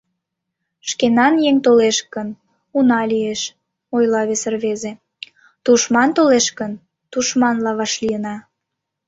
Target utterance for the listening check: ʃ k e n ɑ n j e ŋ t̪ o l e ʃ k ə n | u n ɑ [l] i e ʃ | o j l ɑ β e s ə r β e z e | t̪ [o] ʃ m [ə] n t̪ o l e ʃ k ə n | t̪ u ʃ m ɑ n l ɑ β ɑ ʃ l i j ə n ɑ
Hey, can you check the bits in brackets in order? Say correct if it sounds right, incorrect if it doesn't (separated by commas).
correct, incorrect, incorrect